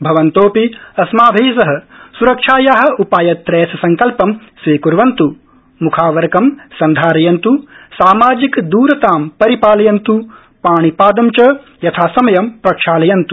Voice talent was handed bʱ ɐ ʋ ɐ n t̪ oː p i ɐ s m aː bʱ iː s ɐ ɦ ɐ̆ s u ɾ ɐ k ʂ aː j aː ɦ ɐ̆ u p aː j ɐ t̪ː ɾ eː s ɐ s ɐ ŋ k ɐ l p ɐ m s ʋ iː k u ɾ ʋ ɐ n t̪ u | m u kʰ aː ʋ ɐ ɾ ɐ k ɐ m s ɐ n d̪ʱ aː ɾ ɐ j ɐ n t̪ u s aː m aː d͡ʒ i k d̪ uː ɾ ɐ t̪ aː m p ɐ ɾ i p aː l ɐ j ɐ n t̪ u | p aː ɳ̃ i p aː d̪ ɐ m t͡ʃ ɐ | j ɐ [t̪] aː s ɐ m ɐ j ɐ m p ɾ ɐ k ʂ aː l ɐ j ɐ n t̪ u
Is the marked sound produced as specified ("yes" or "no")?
no